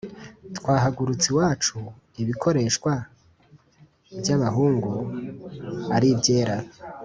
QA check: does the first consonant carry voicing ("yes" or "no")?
no